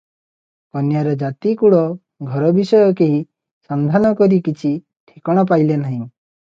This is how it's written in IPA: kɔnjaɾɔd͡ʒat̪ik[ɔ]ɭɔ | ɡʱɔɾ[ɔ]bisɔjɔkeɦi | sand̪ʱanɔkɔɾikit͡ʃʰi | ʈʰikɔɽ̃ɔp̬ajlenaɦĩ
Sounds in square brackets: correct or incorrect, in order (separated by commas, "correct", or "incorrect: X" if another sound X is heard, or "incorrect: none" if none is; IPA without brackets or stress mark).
incorrect: u, correct